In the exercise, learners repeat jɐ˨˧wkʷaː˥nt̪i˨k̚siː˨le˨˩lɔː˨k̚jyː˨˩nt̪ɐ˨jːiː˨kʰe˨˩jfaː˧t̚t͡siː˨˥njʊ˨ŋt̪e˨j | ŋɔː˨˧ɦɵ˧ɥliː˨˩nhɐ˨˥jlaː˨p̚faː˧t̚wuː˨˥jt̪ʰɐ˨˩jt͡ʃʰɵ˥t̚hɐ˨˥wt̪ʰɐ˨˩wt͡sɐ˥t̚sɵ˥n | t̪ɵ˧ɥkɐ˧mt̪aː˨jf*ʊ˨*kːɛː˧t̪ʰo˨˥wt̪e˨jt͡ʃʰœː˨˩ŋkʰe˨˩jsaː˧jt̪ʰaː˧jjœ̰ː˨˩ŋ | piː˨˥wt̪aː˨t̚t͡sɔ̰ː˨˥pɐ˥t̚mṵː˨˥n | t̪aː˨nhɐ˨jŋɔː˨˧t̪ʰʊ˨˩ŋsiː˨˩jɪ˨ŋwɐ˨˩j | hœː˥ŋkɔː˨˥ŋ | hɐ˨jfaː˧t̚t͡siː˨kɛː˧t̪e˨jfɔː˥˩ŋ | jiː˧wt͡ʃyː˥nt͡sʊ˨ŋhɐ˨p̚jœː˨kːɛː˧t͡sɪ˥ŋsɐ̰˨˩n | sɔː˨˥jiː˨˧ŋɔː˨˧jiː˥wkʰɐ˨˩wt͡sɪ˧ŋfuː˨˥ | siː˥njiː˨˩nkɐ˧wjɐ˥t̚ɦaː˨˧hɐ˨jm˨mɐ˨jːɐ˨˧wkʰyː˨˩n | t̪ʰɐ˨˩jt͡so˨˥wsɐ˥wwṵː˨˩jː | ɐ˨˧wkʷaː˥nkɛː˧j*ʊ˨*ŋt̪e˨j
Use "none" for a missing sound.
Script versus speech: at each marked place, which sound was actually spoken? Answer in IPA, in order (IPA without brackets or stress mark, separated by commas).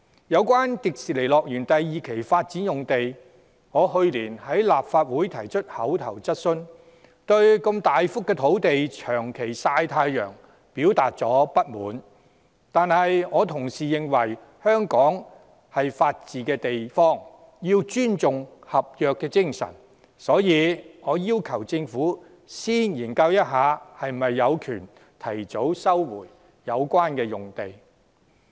ʊ˥, ʊ˨